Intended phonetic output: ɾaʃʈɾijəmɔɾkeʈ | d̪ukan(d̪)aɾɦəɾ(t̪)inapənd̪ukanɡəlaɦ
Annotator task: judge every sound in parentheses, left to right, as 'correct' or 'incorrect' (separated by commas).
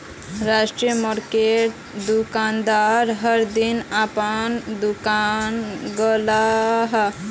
correct, incorrect